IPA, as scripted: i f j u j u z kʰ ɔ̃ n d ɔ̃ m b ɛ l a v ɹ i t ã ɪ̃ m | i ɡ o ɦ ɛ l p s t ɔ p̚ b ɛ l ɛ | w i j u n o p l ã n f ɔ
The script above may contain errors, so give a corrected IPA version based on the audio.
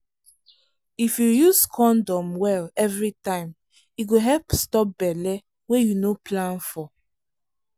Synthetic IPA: i f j u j u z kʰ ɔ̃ n d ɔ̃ m w ɛ l ɛ v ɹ i t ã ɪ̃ m | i ɡ o ɦ ɛ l p s t ɔ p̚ b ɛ l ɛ | w e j u n o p l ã n f ɔ